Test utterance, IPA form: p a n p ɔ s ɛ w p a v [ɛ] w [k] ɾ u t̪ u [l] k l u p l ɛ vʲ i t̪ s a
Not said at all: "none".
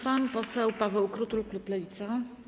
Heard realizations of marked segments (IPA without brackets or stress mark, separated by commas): ɛ, k, l